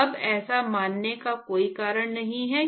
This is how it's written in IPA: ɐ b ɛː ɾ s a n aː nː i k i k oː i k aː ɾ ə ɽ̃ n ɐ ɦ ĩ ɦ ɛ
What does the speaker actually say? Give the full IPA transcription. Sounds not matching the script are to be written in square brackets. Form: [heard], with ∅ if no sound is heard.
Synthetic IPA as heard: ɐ b ɛː [∅] s a [m] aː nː [e] k [a] k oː i k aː ɾ ə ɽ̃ n ɐ ɦ ĩ ɦ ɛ